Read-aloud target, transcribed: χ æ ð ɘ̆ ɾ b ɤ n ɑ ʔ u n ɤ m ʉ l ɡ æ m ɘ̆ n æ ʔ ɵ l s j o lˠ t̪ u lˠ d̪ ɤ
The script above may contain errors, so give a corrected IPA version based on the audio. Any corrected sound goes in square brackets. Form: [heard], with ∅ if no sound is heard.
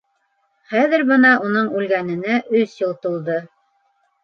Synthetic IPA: χ æ ð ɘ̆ ɾ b ɤ n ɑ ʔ u n ɤ [ɴ] ʉ l ɡ æ [n] ɘ̆ n æ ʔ ɵ [∅] s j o lˠ t̪ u lˠ d̪ ɤ

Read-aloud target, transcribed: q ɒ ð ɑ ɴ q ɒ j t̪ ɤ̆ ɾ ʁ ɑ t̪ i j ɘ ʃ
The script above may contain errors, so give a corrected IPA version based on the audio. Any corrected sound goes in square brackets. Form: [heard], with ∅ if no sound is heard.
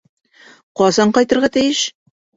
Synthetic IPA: q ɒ [z] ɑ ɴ q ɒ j t̪ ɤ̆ ɾ ʁ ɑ t̪ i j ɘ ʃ

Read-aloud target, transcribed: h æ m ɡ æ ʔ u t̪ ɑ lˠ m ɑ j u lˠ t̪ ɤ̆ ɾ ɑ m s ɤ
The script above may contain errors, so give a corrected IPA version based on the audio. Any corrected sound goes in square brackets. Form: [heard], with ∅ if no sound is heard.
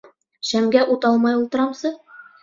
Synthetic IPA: [ɕ] æ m ɡ æ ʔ u t̪ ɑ lˠ m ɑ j u lˠ t̪ ɤ̆ ɾ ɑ m s ɤ

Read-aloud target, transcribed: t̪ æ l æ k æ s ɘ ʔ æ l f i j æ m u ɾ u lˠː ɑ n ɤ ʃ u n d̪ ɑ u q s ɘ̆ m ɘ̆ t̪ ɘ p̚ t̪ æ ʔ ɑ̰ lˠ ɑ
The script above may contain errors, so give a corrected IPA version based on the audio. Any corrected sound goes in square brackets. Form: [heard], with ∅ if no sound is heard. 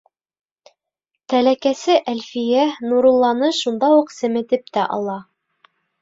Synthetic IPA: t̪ æ l æ k æ s ɘ ʔ æ l f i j æ [n] u ɾ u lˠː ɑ n ɤ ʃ u n d̪ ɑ u q s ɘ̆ m ɘ̆ t̪ ɘ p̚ t̪ æ ʔ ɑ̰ lˠ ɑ

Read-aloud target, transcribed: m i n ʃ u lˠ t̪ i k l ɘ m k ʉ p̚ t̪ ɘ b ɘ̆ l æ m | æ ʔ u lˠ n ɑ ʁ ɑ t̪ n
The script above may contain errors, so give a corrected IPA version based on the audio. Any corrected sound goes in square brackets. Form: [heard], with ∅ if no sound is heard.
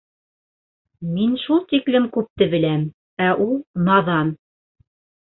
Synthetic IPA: m i n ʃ u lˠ t̪ i k l ɘ m k ʉ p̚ t̪ ɘ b ɘ̆ l æ m | æ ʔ u lˠ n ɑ [ð] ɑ [∅] n

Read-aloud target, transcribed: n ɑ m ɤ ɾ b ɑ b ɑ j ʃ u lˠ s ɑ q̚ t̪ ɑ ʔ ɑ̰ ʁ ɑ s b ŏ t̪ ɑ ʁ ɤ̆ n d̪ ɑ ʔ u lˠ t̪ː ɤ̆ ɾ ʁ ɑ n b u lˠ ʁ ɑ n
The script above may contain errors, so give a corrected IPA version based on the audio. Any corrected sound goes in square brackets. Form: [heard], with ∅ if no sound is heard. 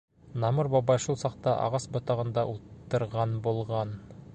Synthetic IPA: n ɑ m ɤ ɾ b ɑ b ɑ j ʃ u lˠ s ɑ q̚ t̪ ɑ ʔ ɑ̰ ʁ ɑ s b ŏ t̪ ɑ ʁ ɤ̆ n d̪ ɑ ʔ u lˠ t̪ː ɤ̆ ɾ ʁ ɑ n b u lˠ ʁ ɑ n

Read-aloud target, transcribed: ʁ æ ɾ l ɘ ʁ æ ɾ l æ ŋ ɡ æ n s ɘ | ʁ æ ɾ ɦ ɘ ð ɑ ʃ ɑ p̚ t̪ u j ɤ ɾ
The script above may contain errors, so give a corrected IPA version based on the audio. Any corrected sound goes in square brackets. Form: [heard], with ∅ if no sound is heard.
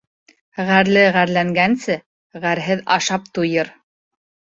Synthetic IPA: ʁ æ ɾ l ɘ ʁ æ ɾ l æ ŋ ɡ æ n s ɘ | ʁ æ ɾ ɦ ɘ ð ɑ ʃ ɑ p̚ t̪ u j ɤ ɾ

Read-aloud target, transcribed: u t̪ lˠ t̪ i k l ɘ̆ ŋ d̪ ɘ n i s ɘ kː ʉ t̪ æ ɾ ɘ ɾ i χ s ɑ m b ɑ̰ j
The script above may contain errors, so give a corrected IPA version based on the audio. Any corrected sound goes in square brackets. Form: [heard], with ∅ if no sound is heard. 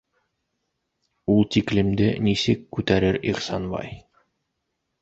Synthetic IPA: u [∅] lˠ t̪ i k l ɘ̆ [m] d̪ ɘ n i s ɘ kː ʉ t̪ æ ɾ ɘ ɾ i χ s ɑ [n] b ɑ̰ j

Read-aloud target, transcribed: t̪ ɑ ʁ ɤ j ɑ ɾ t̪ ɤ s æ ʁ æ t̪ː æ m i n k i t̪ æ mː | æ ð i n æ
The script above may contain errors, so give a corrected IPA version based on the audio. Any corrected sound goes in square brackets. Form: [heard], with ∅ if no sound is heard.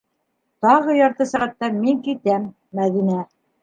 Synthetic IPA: t̪ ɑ ʁ ɤ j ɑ ɾ t̪ ɤ s æ ʁ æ t̪ː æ m i [ŋ] k i t̪ æ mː | æ ð i n æ

